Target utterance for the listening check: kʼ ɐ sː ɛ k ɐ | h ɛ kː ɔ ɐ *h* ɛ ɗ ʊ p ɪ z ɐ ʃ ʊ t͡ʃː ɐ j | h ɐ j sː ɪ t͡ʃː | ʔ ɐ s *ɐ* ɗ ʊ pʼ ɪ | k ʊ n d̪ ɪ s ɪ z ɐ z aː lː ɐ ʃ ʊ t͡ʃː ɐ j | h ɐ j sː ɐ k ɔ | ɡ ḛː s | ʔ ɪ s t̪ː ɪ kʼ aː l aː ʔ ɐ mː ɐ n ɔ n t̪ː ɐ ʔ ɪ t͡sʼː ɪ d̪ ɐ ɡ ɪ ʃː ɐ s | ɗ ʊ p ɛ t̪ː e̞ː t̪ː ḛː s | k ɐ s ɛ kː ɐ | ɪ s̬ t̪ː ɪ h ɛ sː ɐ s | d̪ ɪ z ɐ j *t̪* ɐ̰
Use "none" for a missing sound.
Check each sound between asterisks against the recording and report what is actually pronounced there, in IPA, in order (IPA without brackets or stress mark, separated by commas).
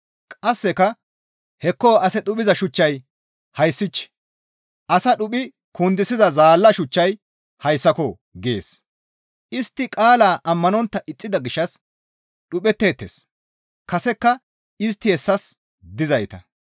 s, ɐ, t̪